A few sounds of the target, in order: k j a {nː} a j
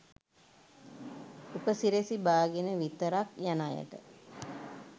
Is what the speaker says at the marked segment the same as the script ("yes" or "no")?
no